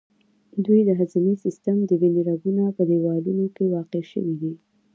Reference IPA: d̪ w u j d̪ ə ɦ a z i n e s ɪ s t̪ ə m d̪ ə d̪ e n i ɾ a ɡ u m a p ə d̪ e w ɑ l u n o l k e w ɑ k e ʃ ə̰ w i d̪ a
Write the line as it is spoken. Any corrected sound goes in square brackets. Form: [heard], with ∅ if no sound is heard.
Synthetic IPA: d̪ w u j d̪ ə ɦ a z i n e s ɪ s t̪ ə m d̪ ə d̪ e n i ɾ a ɡ u [n] a p ə d̪ e w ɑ l u n o [∅] k e w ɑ [q] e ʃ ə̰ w i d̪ [i]